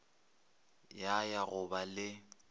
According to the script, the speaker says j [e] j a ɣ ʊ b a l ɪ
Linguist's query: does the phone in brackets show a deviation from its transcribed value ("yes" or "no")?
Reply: yes